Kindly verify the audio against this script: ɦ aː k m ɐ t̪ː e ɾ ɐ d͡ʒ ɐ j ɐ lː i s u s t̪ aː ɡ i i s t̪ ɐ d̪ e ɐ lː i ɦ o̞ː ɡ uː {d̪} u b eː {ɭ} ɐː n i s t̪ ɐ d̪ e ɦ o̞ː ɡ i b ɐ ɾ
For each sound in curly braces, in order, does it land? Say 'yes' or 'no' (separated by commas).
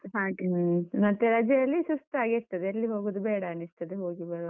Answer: yes, no